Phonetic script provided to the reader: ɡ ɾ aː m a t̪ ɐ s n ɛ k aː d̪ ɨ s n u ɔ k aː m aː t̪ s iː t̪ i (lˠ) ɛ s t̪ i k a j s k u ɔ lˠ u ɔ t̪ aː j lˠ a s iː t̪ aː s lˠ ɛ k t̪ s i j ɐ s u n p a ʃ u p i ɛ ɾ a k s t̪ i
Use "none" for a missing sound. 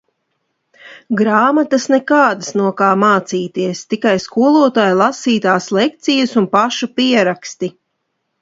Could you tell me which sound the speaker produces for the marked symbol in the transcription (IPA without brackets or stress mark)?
none